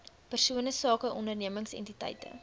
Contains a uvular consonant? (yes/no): no